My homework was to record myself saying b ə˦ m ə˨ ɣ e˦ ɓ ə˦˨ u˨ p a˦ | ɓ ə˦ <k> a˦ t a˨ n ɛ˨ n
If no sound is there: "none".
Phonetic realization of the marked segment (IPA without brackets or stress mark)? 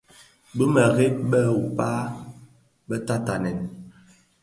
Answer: t